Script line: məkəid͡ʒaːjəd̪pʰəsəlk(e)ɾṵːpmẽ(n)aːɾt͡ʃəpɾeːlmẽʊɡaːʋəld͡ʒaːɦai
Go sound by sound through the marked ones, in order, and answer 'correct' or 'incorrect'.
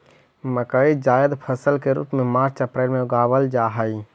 correct, incorrect: m

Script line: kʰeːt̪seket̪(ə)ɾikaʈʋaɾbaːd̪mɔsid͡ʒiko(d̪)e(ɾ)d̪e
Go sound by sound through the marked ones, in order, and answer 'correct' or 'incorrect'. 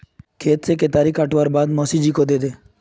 incorrect: a, correct, incorrect: none

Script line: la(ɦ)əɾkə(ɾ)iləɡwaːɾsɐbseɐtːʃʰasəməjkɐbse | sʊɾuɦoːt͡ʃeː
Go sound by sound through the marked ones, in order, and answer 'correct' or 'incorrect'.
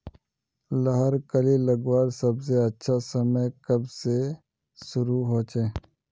correct, incorrect: l

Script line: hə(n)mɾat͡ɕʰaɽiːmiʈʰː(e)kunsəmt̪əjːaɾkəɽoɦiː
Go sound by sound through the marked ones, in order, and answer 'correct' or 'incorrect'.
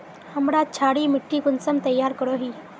incorrect: none, incorrect: i

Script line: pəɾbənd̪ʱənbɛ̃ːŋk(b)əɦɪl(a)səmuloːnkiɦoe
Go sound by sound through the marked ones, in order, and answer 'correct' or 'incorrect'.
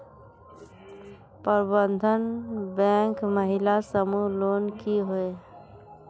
incorrect: m, correct

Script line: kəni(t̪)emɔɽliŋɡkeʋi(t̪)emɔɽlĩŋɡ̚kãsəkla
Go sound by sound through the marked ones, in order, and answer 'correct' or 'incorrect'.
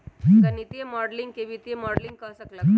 correct, correct

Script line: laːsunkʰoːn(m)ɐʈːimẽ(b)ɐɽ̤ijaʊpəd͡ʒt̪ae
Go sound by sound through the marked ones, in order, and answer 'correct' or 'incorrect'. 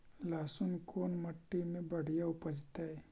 correct, correct

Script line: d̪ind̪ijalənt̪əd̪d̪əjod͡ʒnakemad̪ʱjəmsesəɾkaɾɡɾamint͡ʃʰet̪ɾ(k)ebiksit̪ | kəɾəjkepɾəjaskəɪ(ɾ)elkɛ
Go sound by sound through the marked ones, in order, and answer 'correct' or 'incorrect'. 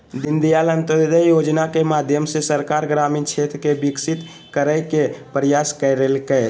correct, correct

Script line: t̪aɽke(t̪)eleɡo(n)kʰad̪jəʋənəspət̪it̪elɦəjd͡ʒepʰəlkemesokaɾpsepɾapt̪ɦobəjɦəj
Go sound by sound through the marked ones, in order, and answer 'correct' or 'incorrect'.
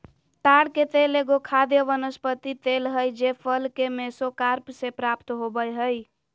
correct, incorrect: none

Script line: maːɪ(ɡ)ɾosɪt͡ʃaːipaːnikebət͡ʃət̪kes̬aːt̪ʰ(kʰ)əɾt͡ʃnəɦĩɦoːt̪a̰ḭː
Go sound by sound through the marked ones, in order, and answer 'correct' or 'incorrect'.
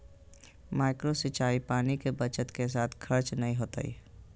incorrect: k, correct

